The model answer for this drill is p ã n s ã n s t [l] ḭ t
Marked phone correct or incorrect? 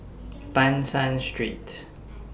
incorrect